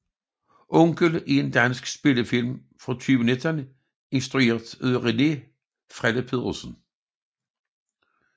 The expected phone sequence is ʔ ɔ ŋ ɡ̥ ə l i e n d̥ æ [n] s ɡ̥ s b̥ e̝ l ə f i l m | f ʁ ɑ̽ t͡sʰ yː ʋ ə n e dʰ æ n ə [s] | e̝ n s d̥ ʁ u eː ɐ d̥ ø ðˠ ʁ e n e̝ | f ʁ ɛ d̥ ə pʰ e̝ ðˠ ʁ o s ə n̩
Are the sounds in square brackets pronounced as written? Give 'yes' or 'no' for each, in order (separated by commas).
yes, no